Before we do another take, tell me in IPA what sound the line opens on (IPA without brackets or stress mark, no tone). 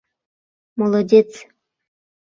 m